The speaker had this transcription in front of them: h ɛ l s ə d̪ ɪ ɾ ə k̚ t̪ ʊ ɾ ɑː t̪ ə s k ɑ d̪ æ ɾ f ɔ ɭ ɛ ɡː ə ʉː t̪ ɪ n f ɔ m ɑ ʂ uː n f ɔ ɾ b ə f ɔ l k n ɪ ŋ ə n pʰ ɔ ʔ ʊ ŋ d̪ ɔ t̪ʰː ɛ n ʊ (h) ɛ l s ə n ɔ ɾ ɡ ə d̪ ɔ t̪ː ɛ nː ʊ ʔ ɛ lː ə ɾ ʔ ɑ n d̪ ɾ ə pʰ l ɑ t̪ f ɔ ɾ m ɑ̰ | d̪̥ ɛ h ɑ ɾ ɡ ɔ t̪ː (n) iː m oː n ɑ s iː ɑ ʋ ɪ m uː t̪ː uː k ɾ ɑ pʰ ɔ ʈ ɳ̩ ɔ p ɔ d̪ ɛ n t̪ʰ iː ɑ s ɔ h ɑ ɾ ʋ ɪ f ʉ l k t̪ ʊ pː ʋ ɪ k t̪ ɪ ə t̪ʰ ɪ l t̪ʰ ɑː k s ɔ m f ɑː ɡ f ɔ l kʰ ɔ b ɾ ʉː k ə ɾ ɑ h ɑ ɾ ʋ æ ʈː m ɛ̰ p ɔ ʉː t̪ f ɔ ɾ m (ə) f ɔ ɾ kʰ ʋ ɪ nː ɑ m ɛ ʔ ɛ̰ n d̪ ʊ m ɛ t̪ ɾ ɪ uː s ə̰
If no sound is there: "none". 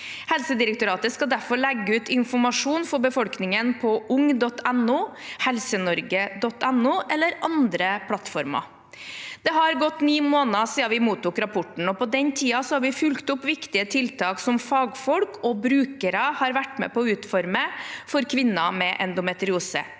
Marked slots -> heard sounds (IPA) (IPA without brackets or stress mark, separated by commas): h, n, ə